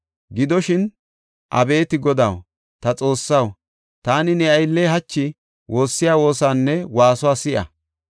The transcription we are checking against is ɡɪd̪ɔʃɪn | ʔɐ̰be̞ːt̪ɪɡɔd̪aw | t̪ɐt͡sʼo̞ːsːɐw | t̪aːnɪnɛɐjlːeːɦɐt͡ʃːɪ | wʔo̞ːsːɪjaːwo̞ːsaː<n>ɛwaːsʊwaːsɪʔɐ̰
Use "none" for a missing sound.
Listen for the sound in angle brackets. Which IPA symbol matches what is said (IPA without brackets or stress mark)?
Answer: nː